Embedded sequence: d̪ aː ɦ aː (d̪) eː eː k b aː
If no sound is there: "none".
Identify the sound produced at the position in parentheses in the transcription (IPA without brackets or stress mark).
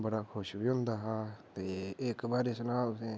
t̪